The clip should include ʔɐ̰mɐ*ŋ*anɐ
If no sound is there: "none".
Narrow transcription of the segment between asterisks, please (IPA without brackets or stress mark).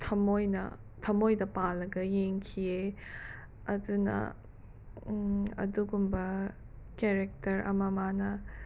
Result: m